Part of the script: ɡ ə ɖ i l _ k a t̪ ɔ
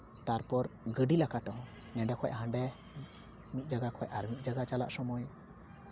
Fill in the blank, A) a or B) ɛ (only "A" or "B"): A